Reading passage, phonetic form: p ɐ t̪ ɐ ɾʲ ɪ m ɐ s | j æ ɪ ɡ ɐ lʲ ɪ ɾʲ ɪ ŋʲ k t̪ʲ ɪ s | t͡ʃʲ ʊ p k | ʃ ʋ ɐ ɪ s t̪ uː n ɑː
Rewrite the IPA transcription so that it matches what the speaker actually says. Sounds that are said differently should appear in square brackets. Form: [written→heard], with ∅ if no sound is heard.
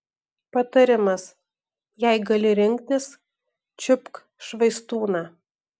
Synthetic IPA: p ɐ t̪ ɐ ɾʲ ɪ m ɐ s | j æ ɪ ɡ ɐ lʲ ɪ ɾʲ ɪ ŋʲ k t̪ʲ ɪ s | t͡ʃʲ ʊ p k | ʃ ʋ ɐ ɪ s t̪ uː n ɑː